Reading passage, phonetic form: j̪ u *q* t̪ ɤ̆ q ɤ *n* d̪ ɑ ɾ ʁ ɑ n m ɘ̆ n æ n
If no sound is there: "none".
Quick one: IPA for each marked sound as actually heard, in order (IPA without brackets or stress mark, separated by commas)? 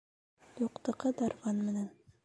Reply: q, none